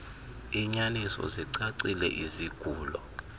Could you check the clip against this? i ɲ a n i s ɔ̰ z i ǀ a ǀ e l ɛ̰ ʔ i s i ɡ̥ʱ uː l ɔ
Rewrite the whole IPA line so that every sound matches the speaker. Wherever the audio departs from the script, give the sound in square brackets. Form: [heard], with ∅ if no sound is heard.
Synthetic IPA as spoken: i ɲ a n i s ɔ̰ z i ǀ a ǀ [i] l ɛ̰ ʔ i [z] i ɡ̥ʱ uː l ɔ